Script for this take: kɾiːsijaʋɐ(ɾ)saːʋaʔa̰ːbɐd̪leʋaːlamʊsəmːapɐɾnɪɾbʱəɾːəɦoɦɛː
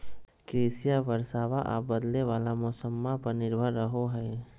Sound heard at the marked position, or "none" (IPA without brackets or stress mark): ɾ